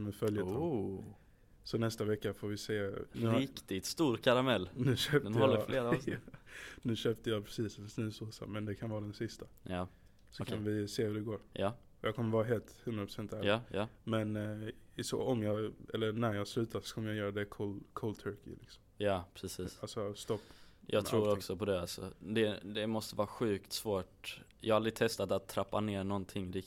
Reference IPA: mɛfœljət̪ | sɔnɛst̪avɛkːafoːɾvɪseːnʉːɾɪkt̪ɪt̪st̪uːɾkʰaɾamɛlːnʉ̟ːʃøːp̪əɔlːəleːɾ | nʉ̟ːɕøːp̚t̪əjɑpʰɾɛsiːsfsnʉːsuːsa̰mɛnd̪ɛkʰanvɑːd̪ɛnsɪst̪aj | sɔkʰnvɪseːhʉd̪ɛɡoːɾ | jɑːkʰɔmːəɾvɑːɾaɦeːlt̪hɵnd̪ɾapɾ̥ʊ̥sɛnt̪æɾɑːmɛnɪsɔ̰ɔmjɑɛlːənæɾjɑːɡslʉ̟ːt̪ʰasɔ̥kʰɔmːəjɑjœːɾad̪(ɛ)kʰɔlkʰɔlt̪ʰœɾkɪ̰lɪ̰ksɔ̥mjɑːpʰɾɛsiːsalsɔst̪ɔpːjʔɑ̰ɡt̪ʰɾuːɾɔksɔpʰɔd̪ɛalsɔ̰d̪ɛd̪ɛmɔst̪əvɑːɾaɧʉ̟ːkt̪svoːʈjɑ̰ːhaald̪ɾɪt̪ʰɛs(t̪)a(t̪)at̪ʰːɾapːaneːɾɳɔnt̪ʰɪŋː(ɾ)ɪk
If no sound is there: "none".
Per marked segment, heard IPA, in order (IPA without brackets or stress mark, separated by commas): ɛ, t̪, t̪, ɾ